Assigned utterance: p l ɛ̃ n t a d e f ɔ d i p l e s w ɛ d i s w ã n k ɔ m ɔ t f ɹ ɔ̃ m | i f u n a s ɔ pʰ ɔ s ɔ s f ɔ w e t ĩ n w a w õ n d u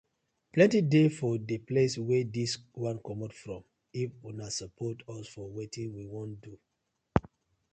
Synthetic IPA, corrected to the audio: p l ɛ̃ n t i d e f ɔ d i p l e s w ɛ d i s w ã n k ɔ m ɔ t f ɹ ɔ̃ m | i f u n a s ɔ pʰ ɔ t ɔ s f ɔ w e t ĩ n w i w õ n d u